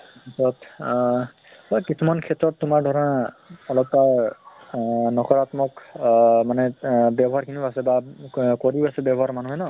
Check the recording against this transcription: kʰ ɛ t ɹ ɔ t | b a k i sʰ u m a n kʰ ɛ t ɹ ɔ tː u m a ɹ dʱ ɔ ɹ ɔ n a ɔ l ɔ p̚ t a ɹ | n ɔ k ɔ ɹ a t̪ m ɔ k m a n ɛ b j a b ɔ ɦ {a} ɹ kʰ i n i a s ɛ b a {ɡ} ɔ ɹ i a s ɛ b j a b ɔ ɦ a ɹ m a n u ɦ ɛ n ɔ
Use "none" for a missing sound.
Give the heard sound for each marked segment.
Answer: a, k

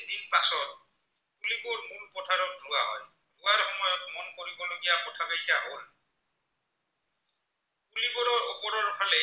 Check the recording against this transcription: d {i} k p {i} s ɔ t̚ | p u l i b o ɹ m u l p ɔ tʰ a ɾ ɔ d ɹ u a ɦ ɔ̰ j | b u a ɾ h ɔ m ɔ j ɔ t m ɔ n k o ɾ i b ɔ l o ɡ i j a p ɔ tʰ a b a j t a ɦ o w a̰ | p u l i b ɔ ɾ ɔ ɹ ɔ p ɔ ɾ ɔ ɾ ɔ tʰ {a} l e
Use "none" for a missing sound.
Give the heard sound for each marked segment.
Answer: i, a, a

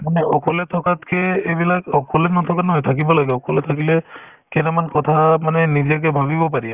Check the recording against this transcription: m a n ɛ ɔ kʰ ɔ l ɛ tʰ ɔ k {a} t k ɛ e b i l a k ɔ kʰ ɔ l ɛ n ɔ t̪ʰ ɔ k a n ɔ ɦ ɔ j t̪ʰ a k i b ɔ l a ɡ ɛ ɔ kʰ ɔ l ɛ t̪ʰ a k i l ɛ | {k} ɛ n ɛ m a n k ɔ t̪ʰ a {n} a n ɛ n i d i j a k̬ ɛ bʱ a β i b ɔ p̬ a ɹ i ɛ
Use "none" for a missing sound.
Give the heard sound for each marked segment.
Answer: a, k, m

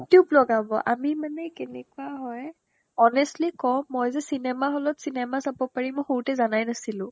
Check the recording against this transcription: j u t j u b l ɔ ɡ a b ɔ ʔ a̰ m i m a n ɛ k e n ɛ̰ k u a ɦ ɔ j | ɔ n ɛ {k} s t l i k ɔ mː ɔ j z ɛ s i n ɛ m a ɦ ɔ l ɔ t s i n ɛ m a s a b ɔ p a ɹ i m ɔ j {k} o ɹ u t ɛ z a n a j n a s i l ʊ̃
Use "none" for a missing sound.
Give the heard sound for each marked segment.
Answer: none, x

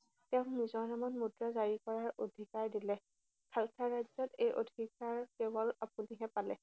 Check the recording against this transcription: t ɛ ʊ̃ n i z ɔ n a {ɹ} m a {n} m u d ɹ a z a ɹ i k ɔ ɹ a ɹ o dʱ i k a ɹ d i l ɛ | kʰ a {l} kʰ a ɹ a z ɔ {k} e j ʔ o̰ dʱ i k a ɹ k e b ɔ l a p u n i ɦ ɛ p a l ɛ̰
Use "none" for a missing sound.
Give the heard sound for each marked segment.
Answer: none, n, l, t

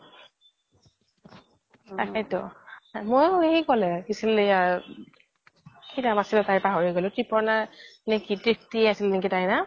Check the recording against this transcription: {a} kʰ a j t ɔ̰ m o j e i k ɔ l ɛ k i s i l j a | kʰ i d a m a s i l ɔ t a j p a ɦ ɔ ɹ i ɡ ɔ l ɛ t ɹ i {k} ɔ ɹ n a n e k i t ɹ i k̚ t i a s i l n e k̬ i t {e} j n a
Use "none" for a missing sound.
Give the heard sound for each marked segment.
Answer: a, p, a

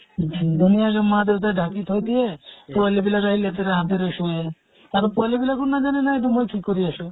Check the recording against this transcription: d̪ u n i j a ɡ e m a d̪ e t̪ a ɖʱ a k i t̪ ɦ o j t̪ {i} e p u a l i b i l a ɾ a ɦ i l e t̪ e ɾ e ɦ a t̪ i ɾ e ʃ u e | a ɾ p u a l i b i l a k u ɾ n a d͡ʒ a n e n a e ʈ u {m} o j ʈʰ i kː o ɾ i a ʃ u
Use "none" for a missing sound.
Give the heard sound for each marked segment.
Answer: i, m

